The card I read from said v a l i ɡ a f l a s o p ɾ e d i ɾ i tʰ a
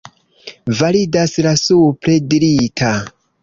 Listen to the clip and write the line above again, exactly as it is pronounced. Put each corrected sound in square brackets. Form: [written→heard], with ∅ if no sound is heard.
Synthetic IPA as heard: v a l i [ɡ→d] a [f→s] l a s [o→u] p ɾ e d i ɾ i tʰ a